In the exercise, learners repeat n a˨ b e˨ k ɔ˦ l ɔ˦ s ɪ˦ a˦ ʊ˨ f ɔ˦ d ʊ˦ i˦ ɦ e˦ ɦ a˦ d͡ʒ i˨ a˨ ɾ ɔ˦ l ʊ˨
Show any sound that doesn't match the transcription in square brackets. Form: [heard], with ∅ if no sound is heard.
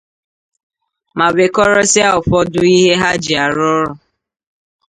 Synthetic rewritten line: [m] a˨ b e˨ k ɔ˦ [ɾ] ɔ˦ s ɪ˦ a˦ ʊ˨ f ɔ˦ d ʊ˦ i˦ ɦ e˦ ɦ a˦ d͡ʒ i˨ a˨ ɾ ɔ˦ [ɾ] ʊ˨